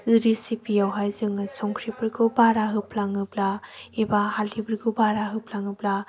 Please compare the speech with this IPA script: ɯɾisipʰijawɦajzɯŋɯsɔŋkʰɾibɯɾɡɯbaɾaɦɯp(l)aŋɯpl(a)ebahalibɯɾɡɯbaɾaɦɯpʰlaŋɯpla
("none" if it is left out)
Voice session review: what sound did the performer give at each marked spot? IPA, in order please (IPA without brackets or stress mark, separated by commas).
l, a